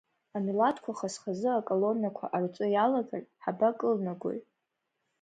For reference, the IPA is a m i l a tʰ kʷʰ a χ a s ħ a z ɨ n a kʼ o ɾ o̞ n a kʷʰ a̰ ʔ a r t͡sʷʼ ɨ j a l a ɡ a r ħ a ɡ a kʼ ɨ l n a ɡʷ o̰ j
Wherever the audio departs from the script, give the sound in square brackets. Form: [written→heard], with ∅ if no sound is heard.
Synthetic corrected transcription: a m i l a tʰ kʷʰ a χ a s [ħ→χ] a z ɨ [n→∅] a kʼ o [ɾ→l] o̞ n a kʷʰ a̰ ʔ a r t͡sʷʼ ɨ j a l a ɡ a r ħ a [ɡ→b] a kʼ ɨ l n a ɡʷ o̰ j

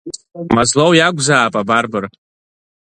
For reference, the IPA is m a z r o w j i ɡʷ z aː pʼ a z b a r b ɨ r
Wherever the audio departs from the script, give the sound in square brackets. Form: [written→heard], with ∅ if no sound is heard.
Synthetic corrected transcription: m a z [r→l] o w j [i→a] ɡʷ z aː pʼ a [z→∅] b a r b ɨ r

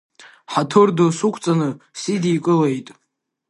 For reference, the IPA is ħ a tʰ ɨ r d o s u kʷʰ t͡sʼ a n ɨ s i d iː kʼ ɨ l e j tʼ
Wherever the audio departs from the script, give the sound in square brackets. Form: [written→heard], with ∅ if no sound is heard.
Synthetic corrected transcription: ħ a tʰ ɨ r d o s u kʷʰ t͡sʼ a n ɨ s i d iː kʼ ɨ l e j tʼ

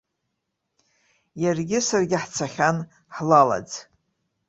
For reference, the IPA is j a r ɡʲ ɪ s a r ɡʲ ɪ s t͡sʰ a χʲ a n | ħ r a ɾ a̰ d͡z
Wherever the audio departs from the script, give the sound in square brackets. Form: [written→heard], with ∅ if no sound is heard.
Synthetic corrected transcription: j a r ɡʲ ɪ s a r ɡʲ ɪ [s→ħ] t͡sʰ a χʲ a n | ħ [r→l] a [ɾ→l] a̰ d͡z

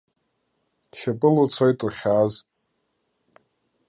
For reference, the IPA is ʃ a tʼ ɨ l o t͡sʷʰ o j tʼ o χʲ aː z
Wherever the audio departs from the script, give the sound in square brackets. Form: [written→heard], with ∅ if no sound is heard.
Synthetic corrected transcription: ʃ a [tʼ→pʼ] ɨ l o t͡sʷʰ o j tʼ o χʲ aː z

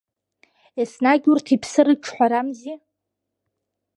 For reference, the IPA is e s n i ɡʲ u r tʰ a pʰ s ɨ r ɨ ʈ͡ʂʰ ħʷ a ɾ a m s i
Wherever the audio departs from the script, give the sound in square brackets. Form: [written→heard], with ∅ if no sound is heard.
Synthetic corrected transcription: e s n [i→a] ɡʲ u r tʰ [a→i] pʰ s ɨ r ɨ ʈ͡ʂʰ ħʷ a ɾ a m [s→z] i

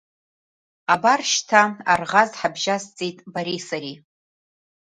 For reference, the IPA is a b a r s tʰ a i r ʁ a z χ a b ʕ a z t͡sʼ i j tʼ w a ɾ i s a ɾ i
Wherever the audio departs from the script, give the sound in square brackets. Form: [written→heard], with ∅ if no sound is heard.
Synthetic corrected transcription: a b a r [s→ʃ] tʰ a [i→a] r ʁ a z [χ→ħ] a b [ʕ→ʒ] a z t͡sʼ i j tʼ [w→b] a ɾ i s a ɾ i

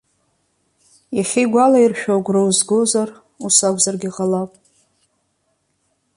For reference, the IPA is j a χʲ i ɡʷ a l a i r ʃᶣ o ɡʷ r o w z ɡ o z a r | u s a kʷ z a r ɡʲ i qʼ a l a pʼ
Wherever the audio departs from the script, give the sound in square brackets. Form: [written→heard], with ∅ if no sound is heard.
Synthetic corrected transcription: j a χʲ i ɡʷ a l a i r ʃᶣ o ɡʷ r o w z ɡ o z a r | u s a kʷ z a r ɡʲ i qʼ a l a pʼ

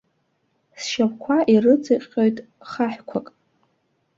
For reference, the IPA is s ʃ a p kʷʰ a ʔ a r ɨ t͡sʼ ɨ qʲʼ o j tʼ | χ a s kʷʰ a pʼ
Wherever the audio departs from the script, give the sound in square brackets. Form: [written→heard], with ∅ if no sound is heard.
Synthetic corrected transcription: s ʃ a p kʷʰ a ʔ [a→i] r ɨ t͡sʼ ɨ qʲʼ o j tʼ | χ a [s→ħ] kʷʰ a [pʼ→kʼ]

